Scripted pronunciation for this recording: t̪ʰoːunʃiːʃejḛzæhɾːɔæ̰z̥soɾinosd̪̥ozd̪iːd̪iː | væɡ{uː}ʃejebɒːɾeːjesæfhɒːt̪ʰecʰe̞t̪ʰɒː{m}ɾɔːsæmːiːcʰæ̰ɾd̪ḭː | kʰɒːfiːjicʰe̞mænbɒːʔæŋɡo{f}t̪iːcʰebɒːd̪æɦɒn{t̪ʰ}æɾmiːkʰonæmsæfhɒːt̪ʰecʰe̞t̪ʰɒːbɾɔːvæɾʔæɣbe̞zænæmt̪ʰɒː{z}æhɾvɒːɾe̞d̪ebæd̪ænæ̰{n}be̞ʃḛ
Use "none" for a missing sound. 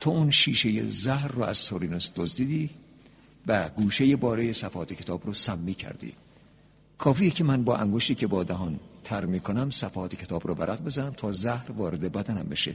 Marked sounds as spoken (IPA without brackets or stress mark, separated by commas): uː, b, ʃ, t̪ʰ, z, m